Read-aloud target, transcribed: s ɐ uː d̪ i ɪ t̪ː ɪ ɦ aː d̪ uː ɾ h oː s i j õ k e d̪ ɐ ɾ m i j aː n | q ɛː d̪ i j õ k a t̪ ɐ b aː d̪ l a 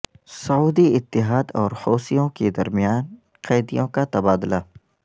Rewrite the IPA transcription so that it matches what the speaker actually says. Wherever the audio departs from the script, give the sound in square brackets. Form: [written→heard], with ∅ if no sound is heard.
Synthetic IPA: s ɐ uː d̪ i ɪ t̪ː ɪ ɦ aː d̪ [uː→ɔː] ɾ h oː s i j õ k e d̪ ɐ ɾ m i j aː n | q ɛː d̪ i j õ k a t̪ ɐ b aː d̪ l a